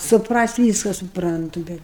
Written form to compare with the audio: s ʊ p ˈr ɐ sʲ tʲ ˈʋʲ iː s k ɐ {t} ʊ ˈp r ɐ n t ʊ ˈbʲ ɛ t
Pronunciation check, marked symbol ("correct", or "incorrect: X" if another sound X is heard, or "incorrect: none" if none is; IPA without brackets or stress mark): incorrect: s